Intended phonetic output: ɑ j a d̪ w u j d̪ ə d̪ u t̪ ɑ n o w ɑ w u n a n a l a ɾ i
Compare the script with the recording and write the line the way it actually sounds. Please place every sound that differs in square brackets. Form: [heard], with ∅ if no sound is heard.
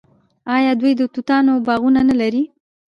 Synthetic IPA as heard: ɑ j [ɑ] d̪ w u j d̪ ə [t̪] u t̪ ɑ n o [b] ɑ [ɣ] u n a n a l a ɾ i